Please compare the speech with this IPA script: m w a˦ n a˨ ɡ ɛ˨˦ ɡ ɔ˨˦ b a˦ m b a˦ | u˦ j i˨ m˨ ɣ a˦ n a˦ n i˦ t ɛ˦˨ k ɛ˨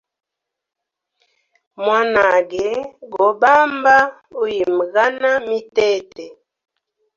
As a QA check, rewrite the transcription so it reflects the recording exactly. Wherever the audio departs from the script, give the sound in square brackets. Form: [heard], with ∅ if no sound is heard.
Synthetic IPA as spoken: m w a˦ n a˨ ɡ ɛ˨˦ ɡ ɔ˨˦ b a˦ m b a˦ | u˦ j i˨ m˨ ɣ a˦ n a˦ [m] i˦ t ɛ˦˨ [t] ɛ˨